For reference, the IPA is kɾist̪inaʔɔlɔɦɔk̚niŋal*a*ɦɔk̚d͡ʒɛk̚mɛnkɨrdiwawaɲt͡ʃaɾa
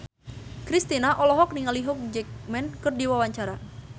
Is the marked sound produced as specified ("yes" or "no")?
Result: no